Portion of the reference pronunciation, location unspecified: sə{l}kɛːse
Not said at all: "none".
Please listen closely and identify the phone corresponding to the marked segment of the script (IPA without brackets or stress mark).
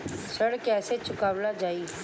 ɽ